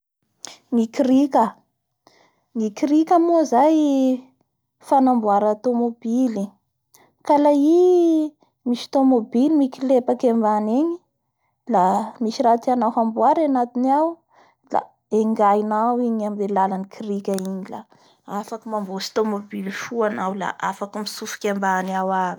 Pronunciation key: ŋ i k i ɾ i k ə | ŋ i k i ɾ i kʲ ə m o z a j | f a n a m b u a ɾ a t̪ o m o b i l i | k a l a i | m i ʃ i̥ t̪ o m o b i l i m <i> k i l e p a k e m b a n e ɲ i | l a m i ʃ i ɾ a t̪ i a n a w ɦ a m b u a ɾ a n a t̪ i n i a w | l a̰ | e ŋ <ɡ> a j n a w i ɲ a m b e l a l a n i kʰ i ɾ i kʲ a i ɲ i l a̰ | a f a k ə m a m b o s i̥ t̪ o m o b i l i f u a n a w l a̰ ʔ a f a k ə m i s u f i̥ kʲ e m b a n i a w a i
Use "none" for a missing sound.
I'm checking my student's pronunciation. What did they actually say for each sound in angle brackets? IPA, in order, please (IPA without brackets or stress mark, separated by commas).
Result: i, ɡ